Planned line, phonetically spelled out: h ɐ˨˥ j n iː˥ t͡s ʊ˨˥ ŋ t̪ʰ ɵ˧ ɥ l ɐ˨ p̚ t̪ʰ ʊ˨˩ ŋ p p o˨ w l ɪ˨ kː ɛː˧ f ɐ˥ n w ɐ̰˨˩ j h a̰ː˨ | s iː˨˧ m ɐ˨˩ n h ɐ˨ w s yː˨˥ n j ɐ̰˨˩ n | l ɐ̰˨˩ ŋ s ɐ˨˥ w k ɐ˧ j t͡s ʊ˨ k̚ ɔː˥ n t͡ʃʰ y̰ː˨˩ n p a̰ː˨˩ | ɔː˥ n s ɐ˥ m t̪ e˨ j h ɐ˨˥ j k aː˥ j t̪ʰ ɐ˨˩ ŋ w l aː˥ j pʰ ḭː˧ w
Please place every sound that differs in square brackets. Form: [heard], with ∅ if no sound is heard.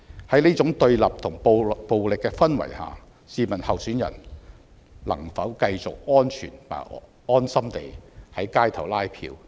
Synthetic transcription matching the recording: h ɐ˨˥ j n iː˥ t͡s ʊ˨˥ ŋ [t̪] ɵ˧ ɥ l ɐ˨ p̚ t̪ʰ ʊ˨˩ ŋ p p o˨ w l ɪ˨ kː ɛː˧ f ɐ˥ n w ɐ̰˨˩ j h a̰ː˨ | s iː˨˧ m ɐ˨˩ n h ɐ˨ w s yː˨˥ n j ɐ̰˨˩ n | l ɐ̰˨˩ ŋ [f] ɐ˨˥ w k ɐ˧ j t͡s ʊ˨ k̚ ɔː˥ n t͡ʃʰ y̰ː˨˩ n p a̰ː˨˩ | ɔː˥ n s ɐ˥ m t̪ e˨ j h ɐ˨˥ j k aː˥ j t̪ʰ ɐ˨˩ [∅] w l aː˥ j pʰ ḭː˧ w